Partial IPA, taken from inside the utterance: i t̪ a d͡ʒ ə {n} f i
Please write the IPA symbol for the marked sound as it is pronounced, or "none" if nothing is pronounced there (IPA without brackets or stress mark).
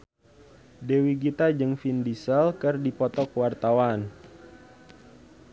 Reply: ŋ